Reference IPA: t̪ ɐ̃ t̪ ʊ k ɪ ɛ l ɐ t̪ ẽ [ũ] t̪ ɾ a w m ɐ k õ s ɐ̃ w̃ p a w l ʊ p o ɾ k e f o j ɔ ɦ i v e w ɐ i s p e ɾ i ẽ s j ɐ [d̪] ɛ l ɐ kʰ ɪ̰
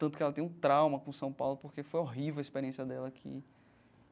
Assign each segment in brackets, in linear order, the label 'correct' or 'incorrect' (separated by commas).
correct, correct